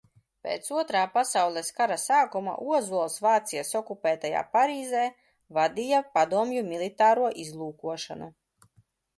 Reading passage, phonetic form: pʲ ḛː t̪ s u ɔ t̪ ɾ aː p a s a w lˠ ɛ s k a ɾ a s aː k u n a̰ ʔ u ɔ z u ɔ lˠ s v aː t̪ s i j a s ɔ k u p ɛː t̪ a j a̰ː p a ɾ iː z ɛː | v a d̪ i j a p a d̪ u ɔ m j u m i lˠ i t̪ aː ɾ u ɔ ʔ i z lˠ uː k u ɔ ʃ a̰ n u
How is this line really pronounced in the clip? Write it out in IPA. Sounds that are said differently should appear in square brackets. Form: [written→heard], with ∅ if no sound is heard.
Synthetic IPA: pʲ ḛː t̪ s u ɔ t̪ ɾ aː p a s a w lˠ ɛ s k a ɾ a s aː k u [n→m] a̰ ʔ u ɔ z u ɔ lˠ s v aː t̪ s i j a s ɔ k u p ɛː t̪ a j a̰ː p a ɾ iː z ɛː | v a d̪ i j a p a d̪ u ɔ m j u m i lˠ i t̪ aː ɾ u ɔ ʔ i z lˠ uː k u ɔ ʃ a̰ n u

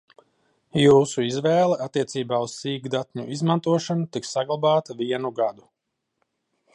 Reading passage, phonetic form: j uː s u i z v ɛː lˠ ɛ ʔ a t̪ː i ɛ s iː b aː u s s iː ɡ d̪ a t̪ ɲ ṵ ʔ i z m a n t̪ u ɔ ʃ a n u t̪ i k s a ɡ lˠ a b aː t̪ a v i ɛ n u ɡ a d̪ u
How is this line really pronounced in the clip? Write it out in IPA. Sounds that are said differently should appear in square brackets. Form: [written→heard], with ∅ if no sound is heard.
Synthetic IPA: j uː s u i z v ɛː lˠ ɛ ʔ a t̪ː i ɛ s iː b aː u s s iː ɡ d̪ a t̪ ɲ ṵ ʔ i z m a n t̪ u ɔ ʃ a n u t̪ i k s a ɡ lˠ a b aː t̪ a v i ɛ n u ɡ a d̪ u

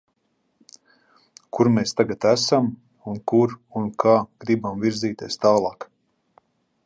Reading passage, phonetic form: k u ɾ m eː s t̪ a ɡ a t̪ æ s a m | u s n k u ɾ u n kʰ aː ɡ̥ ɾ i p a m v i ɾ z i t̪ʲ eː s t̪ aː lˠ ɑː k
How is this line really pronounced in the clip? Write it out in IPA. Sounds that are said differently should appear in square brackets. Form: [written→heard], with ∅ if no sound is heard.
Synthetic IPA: k u ɾ m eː s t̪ a ɡ a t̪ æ s a m | u [s→∅] n k u ɾ u n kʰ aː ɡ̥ ɾ i [p→b] a m v i ɾ z [i→iː] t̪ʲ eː s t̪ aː lˠ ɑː k

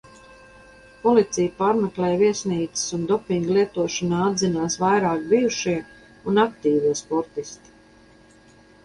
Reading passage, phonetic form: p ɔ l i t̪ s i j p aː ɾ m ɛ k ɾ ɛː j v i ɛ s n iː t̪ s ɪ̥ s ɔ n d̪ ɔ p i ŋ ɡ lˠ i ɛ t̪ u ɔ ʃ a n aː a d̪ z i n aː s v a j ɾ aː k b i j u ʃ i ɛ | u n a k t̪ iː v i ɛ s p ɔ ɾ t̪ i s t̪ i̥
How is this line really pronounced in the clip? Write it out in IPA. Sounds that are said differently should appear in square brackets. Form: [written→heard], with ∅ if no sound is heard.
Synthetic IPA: p ɔ l i t̪ s i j p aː ɾ m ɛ k [ɾ→l] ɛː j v i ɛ s n iː t̪ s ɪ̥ s [ɔ→u] n d̪ ɔ p i ŋ ɡ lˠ i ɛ t̪ u ɔ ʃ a n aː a d̪ z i n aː s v a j ɾ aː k b i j u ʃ i ɛ | u n a k t̪ iː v i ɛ s p ɔ ɾ t̪ i s t̪ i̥

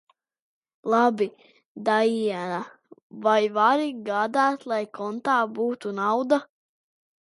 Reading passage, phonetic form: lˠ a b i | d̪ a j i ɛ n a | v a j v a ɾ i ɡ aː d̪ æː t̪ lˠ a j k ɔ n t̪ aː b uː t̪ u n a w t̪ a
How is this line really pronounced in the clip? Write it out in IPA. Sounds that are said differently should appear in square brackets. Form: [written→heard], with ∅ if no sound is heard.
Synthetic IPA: lˠ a b i | d̪ a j i ɛ n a | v a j v a ɾ i ɡ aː d̪ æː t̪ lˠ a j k ɔ n t̪ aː b uː t̪ u n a w [t̪→d̪] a

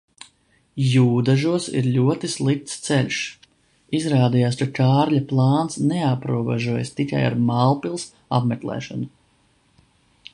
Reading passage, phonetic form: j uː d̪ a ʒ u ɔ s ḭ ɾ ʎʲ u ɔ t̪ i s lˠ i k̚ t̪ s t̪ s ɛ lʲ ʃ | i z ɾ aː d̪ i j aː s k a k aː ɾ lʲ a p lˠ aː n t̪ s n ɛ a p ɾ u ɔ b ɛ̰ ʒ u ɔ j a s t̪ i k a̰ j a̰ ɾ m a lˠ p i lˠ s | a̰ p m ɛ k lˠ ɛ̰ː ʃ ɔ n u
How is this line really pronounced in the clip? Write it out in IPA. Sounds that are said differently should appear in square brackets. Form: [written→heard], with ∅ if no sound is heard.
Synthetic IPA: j uː d̪ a ʒ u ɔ s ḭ ɾ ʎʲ u ɔ t̪ i s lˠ i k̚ t̪ s t̪ s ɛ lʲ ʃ | i z ɾ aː d̪ i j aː s k a k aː ɾ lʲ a p lˠ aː n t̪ s n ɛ a p ɾ u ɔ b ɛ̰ ʒ u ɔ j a s t̪ i k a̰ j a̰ ɾ m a lˠ p i lˠ s | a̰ p m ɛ k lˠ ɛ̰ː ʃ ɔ n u

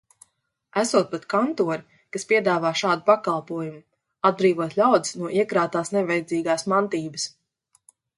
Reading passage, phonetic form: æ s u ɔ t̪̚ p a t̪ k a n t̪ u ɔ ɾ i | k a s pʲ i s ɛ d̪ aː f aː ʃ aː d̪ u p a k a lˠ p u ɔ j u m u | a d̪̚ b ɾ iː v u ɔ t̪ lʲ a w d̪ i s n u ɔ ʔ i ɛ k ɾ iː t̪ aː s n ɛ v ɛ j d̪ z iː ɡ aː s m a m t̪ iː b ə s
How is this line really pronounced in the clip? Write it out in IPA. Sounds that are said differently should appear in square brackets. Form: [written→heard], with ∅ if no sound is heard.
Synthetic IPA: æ s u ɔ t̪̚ p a t̪ k a n t̪ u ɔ ɾ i | k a s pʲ i [s→∅] ɛ d̪ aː [f→v] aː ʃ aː d̪ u p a k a lˠ p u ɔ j u m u | a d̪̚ b ɾ iː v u ɔ t̪ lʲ a w d̪ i s n u ɔ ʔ i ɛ k ɾ [iː→aː] t̪ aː s n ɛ v ɛ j d̪ z iː ɡ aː s m a [m→n] t̪ iː b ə s

